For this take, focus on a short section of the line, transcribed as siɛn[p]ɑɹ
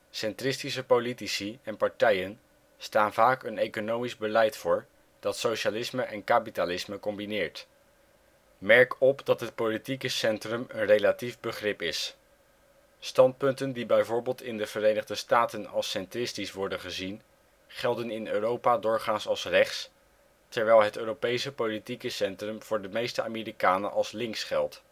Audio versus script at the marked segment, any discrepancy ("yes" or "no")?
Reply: no